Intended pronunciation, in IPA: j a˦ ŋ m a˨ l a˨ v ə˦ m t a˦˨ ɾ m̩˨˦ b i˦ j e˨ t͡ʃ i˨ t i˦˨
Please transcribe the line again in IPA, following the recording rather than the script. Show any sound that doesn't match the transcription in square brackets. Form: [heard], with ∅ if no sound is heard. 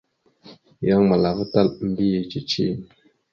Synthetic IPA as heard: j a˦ ŋ m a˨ l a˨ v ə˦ [∅] t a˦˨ [l] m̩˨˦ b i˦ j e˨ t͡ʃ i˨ [t͡ʃ] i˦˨